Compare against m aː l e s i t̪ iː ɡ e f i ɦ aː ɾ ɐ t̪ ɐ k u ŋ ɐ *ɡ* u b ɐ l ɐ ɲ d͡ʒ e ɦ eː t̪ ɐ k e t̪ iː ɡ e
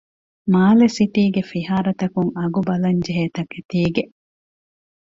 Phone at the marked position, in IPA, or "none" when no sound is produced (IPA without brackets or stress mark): ɡ